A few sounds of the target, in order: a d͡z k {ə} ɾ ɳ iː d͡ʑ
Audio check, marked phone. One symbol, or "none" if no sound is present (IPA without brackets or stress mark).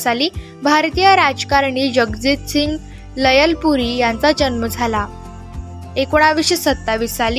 a